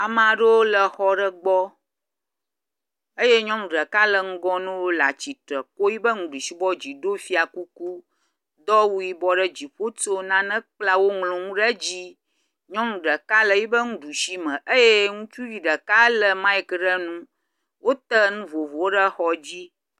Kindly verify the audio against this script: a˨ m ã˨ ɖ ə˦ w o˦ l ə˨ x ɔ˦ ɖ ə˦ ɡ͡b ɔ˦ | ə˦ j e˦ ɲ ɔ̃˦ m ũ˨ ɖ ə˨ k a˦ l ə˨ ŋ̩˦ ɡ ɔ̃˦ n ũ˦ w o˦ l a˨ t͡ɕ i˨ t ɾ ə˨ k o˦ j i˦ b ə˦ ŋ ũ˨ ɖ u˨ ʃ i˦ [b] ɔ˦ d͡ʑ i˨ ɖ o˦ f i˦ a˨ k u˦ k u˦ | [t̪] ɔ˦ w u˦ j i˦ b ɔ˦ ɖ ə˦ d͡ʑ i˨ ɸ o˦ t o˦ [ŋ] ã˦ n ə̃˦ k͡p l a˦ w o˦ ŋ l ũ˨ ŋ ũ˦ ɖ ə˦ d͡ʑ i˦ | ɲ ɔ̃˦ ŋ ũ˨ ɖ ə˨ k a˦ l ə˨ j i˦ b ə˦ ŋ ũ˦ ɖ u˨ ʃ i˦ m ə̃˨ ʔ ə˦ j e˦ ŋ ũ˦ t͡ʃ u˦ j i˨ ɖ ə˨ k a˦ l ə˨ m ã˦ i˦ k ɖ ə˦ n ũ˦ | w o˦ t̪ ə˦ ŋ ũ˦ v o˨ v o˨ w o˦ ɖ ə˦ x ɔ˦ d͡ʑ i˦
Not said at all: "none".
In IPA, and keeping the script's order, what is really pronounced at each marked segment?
b, d̪, n

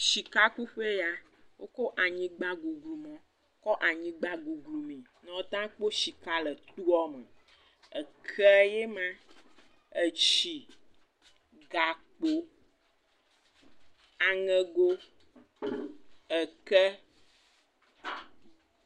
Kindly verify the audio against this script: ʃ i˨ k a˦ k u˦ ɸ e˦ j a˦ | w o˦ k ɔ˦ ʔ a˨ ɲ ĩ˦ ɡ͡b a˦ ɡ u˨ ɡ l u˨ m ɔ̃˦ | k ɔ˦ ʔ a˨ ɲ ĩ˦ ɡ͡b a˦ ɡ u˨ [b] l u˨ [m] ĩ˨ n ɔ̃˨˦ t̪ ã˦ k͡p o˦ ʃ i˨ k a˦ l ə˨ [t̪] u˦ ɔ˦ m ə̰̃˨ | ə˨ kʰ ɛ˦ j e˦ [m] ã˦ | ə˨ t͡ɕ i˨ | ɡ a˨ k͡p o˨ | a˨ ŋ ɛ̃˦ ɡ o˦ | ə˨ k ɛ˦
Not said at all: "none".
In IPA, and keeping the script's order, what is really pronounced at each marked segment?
ɡ, m, t̪, m

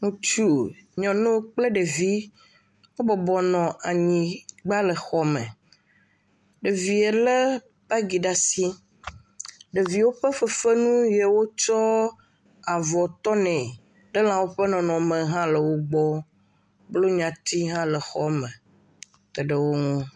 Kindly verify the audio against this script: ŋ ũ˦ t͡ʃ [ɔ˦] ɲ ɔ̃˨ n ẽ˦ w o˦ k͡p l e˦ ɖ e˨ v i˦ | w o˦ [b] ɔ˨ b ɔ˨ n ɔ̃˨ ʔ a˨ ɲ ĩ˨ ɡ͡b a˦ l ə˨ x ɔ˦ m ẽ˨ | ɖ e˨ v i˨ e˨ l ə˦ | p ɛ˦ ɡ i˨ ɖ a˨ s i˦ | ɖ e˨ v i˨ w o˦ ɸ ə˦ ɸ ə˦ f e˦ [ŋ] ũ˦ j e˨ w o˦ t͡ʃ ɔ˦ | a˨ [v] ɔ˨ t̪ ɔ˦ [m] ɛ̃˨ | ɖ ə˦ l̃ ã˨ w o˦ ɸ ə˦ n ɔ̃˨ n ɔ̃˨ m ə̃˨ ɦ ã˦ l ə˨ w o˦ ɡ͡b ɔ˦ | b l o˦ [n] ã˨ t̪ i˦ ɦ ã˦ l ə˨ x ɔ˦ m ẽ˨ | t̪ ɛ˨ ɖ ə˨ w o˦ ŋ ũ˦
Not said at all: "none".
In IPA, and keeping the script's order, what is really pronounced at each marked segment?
u˦, b, n, v, n, ɲ

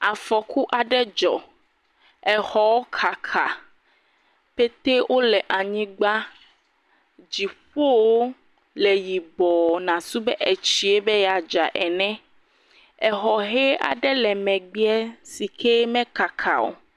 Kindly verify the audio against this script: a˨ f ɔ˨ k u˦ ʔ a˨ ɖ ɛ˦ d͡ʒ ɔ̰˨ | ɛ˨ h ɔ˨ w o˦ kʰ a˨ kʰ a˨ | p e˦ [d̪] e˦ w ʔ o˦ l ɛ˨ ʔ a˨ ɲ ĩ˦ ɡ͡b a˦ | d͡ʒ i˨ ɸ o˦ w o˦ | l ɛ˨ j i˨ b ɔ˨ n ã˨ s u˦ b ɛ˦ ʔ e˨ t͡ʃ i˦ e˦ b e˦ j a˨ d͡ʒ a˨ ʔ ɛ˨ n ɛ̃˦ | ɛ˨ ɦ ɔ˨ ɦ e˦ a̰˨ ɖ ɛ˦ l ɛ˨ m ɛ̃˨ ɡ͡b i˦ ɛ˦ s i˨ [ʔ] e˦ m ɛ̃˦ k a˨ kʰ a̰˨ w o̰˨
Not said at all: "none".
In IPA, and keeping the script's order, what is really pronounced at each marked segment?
t̪, k

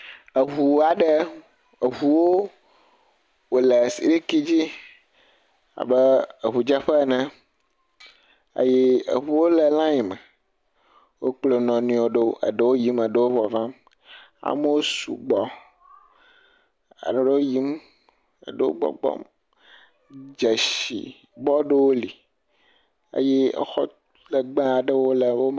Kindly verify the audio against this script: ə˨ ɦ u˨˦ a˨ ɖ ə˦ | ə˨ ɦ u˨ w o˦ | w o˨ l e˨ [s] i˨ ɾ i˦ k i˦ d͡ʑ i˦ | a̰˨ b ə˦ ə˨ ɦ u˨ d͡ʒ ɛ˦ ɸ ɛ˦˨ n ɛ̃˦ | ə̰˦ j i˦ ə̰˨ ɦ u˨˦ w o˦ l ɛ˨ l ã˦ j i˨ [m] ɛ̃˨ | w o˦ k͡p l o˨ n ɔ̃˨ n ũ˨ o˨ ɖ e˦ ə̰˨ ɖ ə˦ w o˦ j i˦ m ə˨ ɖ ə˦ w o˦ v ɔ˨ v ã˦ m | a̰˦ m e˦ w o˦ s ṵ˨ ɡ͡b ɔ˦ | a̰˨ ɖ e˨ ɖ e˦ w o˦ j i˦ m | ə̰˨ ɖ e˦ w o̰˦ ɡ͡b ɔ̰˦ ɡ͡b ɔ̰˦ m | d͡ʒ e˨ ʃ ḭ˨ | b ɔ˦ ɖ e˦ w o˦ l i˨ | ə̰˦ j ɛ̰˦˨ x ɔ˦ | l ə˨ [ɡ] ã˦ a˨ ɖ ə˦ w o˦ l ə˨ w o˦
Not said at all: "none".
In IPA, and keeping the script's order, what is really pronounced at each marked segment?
s, m, ɡ͡b

